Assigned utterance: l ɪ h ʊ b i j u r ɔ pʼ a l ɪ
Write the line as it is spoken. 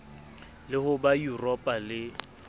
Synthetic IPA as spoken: l ɪ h ʊ b a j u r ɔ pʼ a l ɪ

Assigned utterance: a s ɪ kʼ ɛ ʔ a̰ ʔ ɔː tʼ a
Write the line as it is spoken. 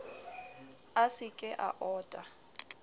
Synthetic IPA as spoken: a s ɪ kʼ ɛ ʔ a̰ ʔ ɔː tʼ a

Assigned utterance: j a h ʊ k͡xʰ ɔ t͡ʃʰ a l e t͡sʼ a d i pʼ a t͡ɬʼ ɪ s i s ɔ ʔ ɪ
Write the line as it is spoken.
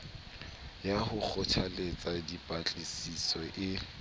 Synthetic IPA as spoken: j a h ʊ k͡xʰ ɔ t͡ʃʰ a l e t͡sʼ a d i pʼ a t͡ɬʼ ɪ s i s ɔ ʔ ɪ

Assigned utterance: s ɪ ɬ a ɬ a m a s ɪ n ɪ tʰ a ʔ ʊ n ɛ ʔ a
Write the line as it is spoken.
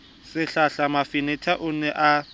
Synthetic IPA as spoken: s ɪ ɬ a ɬ a m a f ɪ n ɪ tʰ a ʔ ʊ n ɛ ʔ a

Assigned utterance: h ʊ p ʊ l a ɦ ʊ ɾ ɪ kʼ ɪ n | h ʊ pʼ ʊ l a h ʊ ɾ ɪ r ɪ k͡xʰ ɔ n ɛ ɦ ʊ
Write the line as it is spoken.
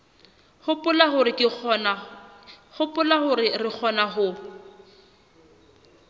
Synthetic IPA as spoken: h ʊ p ʊ l a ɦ ʊ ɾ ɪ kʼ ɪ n | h ʊ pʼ ʊ l a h ʊ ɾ ɪ r ɪ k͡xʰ ɔ n a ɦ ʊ

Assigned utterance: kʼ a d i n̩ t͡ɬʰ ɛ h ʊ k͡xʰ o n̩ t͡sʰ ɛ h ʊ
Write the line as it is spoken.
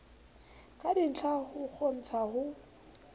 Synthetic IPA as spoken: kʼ a d i n̩ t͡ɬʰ a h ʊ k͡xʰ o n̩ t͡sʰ a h ʊ

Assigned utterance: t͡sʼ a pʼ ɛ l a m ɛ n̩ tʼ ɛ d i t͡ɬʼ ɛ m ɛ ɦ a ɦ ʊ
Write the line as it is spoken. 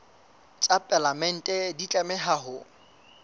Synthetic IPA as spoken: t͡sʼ a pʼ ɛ l a m ɛ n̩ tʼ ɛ d i t͡ɬʼ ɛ m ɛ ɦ a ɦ ʊ

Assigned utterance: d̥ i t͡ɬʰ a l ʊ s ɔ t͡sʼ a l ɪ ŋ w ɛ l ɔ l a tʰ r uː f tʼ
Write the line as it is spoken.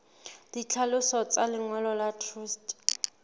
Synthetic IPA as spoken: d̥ i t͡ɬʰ a l ʊ s ɔ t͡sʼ a l ɪ ŋ w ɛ l ɔ l a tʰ r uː s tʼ

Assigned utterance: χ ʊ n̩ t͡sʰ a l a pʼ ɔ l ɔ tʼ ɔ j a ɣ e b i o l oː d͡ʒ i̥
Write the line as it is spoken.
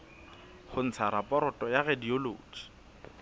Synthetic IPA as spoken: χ ʊ n̩ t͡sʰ a ɾ a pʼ ɔ ɾ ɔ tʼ ɔ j a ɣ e d i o l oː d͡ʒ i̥

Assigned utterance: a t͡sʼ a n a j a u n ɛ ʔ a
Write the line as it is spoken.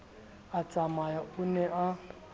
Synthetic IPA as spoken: a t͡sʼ a m a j a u n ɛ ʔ a

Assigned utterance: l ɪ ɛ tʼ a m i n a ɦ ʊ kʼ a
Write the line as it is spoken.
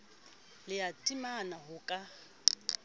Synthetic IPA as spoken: l ɪ a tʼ i m a n a ɦ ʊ kʼ a

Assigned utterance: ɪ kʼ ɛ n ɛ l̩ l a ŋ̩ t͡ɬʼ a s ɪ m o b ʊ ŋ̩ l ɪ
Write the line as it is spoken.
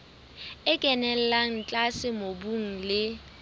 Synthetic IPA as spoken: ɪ kʼ ɛ n ɛ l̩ l a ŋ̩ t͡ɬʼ a s ɪ m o b u ŋ̩ l ɪ

